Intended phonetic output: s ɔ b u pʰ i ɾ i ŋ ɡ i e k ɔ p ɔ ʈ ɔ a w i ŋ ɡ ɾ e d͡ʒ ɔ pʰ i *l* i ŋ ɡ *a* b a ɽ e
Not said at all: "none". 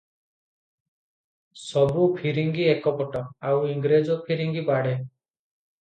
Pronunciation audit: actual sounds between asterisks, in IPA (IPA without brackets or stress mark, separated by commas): ɾ, i